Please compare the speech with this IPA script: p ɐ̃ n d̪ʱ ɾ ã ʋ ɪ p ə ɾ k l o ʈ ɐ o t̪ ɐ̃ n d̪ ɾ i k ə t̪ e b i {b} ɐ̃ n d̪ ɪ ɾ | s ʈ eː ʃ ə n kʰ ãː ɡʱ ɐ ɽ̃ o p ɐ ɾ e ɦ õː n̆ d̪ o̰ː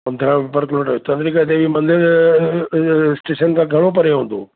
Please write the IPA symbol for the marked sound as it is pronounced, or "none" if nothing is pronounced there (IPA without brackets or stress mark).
m